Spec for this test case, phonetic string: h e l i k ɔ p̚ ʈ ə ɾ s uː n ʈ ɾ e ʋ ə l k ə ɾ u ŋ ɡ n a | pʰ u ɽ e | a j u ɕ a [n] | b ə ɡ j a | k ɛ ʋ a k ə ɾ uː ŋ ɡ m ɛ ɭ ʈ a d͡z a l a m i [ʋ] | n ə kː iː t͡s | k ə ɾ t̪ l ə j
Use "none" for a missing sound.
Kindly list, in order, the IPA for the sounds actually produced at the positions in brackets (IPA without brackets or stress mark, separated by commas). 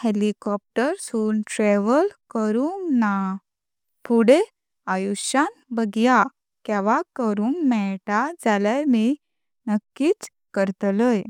n, none